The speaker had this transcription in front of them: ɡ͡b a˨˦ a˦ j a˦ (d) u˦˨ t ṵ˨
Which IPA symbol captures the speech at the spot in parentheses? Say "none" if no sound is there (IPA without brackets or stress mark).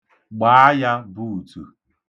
b